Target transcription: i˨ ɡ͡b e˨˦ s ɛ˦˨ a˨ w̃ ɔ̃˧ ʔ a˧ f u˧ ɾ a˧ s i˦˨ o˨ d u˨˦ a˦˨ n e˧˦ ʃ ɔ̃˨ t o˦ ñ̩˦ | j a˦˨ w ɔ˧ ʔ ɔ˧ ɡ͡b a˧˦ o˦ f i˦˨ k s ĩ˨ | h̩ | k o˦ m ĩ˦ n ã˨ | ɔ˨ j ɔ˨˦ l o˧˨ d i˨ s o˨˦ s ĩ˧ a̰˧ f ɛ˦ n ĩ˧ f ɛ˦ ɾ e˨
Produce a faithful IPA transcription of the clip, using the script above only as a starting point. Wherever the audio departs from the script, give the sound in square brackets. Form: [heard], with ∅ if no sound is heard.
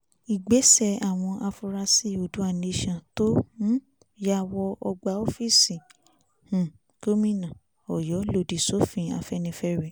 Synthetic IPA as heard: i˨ ɡ͡b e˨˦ s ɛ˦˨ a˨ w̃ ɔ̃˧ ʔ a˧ f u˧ ɾ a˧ s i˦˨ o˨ d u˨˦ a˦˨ n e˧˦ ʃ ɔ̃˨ t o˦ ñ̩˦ | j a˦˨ w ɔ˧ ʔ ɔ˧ ɡ͡b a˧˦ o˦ f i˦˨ [∅] s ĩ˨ | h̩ | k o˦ m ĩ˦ n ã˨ | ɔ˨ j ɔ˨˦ l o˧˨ d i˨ s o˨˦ [f] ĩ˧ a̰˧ f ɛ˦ n ĩ˧ f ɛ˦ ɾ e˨